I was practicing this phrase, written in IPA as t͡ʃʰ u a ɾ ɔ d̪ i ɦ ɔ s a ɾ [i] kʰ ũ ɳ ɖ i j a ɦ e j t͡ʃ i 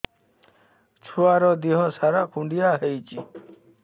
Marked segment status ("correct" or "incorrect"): incorrect